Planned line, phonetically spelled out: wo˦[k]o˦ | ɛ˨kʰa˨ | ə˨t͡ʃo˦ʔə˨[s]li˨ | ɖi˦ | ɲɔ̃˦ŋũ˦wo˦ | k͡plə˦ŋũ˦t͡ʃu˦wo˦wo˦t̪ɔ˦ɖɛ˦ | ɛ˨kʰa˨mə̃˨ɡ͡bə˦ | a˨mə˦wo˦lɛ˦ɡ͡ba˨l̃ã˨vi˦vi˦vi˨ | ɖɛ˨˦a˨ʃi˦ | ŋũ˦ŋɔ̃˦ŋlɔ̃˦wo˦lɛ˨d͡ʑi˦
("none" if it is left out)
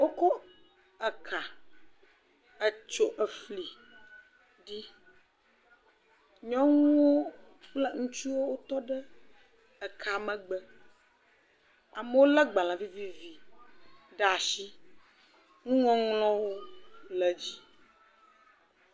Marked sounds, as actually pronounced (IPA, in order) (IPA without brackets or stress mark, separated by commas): k, f